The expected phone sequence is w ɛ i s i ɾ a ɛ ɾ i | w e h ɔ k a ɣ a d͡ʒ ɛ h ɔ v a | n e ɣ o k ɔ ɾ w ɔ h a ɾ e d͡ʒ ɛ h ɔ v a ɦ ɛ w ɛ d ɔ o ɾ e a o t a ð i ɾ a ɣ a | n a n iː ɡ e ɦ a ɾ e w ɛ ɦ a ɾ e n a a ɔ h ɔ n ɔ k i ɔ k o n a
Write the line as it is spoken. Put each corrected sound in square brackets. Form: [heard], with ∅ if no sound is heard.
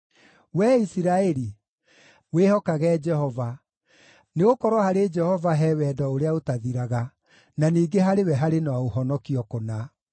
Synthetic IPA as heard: w ɛ i s i ɾ a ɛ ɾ i | w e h ɔ k a ɣ [ɛ] d͡ʒ ɛ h ɔ v a | n e ɣ o k ɔ ɾ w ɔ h a ɾ e d͡ʒ ɛ h ɔ v a ɦ ɛ w ɛ d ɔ o ɾ e a o t a ð i ɾ a ɣ a | n a n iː ɡ e ɦ a ɾ e w ɛ ɦ a ɾ e n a a [o] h ɔ n ɔ k i ɔ k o n a